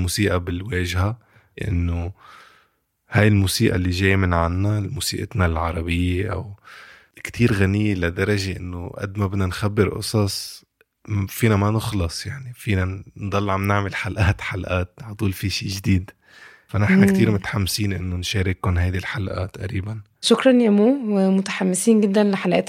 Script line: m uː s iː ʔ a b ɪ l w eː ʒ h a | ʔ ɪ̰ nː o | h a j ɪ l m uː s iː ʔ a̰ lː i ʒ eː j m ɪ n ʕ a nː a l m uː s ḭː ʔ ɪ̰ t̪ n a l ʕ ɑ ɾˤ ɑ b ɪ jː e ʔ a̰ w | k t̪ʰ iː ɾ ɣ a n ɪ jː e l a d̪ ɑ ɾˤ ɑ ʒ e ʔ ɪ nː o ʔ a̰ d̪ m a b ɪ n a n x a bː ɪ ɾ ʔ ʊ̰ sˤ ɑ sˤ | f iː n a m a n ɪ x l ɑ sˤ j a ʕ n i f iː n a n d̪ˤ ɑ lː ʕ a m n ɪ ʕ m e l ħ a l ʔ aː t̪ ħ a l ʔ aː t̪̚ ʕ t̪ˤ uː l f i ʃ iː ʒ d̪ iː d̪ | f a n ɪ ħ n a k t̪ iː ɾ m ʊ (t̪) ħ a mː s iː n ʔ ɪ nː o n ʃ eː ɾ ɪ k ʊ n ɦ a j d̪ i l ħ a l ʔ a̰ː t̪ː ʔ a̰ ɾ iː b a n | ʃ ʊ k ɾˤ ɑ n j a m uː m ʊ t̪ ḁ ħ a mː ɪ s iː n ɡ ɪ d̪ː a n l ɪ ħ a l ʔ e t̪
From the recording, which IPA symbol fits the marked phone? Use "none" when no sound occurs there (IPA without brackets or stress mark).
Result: t̪